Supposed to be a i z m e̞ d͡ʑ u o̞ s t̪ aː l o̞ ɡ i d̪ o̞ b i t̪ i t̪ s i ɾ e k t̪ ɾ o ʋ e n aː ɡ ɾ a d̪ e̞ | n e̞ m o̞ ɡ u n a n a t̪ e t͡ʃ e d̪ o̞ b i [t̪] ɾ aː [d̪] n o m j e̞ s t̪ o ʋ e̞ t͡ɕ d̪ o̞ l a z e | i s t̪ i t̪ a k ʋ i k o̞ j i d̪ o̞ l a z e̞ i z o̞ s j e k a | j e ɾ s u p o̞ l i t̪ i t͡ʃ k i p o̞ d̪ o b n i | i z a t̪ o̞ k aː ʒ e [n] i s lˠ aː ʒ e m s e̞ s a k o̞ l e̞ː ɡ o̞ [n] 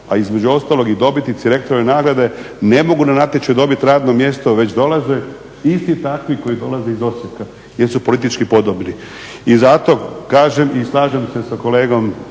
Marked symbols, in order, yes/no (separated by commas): yes, yes, no, no